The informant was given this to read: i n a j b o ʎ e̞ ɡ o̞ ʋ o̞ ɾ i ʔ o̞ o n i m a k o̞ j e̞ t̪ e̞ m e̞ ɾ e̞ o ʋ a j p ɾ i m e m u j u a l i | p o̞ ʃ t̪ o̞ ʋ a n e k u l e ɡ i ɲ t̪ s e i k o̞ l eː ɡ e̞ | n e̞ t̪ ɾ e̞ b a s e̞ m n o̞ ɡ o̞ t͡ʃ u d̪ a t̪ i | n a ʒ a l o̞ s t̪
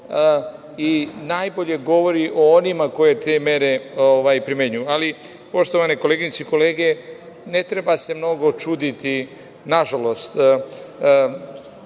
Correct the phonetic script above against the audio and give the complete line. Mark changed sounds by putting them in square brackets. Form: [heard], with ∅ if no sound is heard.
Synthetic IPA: i n a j b o ʎ e̞ ɡ o̞ ʋ o̞ ɾ i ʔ o̞ o n i m a k o̞ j e̞ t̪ e̞ m e̞ ɾ e̞ o ʋ a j p ɾ i m e [ɲ] u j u a l i | p o̞ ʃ t̪ o̞ ʋ a n e k [o] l e ɡ i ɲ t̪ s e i k o̞ l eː ɡ e̞ | n e̞ t̪ ɾ e̞ b a s e̞ m n o̞ ɡ o̞ t͡ʃ u d̪ [i] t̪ i | n a ʒ a l o̞ s t̪